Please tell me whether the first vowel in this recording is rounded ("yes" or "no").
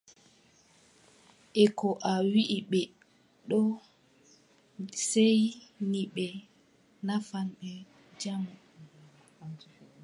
no